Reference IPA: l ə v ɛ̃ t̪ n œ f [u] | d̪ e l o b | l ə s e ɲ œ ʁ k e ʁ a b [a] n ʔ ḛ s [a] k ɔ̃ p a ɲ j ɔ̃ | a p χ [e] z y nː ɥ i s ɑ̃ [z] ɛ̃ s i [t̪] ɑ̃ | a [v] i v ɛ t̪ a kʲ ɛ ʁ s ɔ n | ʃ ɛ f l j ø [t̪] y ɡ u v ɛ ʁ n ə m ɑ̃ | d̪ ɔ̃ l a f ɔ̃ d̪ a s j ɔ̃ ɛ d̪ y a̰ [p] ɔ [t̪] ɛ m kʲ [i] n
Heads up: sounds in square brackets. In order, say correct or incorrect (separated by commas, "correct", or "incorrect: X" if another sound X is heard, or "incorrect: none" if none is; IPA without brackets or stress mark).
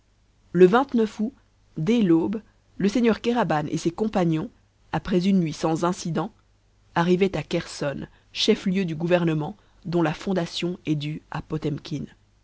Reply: correct, correct, incorrect: e, incorrect: ɛ, correct, incorrect: d̪, incorrect: ʁ, incorrect: d̪, correct, correct, correct